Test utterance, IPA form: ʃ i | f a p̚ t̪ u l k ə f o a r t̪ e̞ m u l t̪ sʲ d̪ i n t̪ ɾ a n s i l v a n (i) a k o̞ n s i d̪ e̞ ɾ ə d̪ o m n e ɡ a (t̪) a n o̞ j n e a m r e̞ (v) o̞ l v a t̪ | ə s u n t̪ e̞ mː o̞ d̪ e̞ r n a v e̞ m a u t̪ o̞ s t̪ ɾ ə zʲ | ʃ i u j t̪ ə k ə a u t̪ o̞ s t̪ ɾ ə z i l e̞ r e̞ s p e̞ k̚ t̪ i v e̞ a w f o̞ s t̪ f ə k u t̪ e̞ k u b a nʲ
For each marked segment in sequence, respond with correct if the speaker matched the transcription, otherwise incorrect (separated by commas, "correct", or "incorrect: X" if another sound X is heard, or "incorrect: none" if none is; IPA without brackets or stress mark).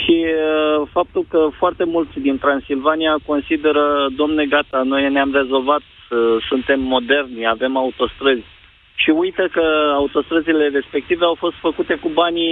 correct, correct, incorrect: z